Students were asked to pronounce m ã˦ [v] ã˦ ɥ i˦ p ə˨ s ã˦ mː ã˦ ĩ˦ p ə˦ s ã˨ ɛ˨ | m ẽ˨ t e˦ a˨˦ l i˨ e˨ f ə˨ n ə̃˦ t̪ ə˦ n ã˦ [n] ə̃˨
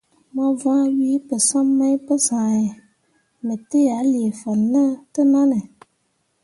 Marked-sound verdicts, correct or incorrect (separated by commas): correct, correct